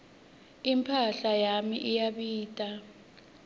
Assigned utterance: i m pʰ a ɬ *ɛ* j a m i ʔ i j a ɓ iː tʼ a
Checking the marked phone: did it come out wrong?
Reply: yes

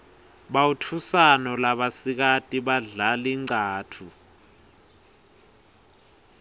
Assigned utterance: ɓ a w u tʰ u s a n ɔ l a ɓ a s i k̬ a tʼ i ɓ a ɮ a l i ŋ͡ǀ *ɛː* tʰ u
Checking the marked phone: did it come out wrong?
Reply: yes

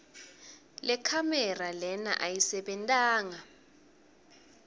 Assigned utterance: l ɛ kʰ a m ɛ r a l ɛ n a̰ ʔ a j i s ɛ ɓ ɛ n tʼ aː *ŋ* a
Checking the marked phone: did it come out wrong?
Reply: no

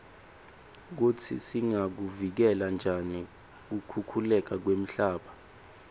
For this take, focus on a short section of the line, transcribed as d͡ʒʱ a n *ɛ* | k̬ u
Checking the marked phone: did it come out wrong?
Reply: yes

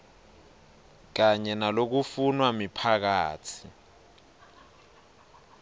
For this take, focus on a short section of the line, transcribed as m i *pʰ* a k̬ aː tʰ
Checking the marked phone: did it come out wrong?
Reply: no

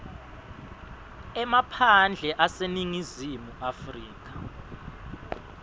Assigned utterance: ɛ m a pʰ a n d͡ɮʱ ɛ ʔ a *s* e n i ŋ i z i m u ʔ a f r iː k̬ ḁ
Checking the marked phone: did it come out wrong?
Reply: no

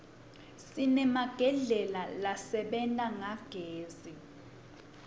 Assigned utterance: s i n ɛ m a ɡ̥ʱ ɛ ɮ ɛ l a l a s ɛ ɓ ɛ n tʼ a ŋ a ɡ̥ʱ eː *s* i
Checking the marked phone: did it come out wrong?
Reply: yes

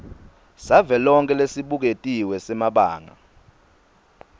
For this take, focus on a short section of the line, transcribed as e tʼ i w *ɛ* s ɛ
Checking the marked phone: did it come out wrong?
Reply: no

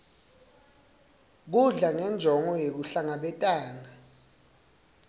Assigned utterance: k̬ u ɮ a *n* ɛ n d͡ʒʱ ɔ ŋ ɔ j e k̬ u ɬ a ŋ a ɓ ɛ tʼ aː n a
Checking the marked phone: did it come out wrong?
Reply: yes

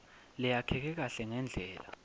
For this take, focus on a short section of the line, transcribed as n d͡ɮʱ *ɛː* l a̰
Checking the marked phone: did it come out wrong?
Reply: no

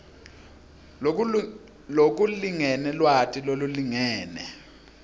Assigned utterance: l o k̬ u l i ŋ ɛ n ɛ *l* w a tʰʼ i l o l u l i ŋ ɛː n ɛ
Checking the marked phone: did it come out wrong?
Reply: no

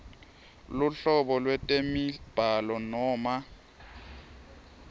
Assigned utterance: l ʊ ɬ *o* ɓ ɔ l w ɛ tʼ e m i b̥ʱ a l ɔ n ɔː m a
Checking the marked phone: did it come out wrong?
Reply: yes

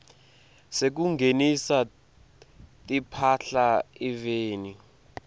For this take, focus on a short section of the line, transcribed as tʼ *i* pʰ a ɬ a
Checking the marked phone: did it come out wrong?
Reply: no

